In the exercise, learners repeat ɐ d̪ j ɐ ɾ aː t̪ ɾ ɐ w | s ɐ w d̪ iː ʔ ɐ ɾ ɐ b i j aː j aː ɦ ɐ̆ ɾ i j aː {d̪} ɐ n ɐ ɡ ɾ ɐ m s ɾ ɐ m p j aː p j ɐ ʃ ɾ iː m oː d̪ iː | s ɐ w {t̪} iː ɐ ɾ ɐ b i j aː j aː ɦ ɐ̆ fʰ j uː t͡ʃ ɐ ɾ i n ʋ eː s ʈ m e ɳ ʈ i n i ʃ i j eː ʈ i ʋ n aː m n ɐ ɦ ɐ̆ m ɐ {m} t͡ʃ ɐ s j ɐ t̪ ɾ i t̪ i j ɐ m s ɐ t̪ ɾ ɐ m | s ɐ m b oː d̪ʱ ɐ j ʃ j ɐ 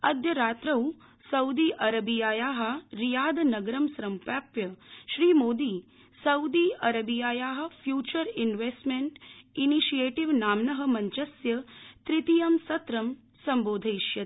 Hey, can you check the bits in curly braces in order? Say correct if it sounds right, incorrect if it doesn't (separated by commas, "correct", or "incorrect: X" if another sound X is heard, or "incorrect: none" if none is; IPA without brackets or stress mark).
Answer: correct, incorrect: d̪, incorrect: ɲ